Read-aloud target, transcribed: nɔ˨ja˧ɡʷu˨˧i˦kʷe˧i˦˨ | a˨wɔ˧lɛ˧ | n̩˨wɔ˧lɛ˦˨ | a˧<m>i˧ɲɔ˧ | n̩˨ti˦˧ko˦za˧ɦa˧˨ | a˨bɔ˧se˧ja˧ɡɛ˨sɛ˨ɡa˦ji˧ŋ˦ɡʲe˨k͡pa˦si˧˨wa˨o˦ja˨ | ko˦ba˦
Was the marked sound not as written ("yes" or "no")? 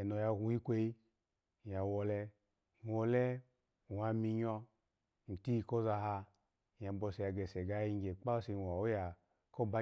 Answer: no